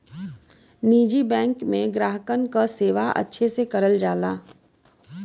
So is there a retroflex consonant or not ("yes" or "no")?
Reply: no